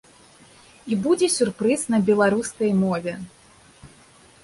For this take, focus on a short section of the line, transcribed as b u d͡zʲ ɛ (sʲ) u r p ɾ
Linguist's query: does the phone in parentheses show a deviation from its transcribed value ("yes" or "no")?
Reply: no